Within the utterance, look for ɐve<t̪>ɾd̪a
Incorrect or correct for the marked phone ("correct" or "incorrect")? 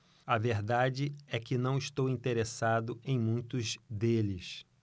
incorrect